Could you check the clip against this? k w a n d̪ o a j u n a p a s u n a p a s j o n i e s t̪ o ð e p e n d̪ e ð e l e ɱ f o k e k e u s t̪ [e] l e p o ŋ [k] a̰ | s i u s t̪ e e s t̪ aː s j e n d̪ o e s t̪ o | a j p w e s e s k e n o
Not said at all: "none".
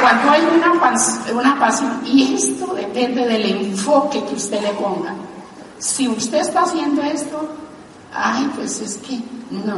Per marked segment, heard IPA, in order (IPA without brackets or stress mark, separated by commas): e, ɡ